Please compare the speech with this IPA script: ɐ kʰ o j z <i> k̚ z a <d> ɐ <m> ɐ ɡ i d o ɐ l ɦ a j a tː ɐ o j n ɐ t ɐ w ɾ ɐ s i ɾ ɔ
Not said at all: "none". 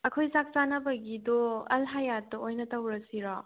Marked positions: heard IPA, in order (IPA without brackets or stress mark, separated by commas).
a, n, b